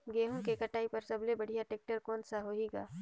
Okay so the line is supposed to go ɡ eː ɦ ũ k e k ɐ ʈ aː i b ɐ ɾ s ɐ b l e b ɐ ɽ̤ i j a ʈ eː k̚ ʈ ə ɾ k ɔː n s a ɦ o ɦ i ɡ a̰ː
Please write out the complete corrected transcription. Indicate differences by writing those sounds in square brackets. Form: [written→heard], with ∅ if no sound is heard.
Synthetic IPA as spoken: ɡ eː ɦ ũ k e k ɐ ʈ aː i [b→p] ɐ ɾ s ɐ b l e b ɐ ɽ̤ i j a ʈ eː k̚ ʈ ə ɾ k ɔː n s a ɦ o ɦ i ɡ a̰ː